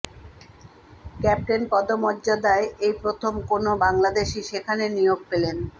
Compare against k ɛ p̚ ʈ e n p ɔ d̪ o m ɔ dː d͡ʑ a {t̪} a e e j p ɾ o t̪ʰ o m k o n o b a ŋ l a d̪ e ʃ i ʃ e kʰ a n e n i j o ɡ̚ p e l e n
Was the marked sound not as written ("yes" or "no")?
yes